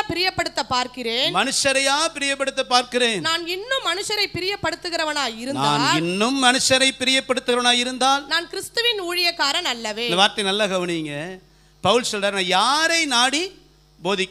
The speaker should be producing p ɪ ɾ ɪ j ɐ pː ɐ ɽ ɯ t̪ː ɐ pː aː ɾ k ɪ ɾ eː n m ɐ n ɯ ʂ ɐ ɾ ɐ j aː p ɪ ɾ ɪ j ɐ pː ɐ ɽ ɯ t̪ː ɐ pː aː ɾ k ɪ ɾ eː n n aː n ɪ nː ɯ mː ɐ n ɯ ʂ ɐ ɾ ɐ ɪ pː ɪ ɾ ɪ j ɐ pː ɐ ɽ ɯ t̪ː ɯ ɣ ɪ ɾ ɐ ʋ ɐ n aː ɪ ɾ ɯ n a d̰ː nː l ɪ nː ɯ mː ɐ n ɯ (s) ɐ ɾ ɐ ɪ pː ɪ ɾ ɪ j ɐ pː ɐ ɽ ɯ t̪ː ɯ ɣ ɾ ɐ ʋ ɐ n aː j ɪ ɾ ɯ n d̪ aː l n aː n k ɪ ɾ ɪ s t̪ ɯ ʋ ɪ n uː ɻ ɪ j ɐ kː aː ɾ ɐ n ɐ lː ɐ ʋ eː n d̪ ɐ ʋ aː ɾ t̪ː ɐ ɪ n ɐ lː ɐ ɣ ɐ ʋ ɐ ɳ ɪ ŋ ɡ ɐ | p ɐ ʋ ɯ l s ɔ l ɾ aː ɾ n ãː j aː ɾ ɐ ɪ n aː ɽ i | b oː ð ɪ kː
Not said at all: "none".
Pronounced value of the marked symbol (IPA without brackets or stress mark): ʂ